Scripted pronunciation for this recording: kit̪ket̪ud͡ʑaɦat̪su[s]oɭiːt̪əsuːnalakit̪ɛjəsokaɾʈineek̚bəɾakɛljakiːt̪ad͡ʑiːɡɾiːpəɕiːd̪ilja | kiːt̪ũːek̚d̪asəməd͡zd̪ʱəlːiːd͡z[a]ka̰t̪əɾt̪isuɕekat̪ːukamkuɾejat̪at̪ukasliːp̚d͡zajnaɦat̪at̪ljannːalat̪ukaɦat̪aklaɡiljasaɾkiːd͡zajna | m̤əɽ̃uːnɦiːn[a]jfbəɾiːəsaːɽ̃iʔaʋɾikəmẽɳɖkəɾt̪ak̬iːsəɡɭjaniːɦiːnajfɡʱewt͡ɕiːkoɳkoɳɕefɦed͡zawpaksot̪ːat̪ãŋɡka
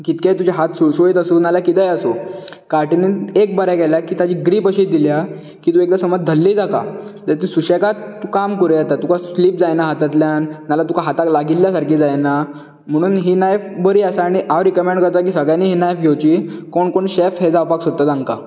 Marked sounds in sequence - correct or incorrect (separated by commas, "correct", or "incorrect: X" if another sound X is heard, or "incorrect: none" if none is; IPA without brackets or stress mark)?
correct, correct, correct